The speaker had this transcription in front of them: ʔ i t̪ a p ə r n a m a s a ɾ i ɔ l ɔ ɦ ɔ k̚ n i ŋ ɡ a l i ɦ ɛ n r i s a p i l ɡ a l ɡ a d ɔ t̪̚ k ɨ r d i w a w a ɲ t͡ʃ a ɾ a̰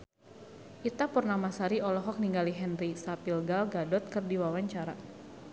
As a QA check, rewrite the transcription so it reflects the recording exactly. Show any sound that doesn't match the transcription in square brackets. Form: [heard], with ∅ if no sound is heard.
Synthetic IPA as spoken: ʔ i t̪ a p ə r n a m a s a ɾ i ɔ l ɔ ɦ ɔ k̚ n i ŋ ɡ a l i ɦ ɛ n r i s a p i l ɡ a l ɡ a d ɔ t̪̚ k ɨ r d i w a w a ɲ t͡ʃ a ɾ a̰